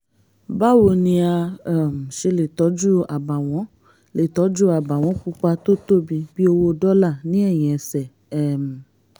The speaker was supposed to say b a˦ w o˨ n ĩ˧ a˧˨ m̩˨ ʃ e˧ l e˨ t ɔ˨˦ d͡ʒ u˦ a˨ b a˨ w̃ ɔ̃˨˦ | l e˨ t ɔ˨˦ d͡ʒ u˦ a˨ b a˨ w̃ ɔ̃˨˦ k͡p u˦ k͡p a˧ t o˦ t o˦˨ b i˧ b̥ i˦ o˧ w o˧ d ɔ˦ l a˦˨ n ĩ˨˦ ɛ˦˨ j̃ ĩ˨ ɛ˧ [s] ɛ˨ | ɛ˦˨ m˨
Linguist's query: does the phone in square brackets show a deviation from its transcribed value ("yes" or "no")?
no